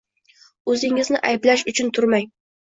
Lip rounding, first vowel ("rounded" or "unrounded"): rounded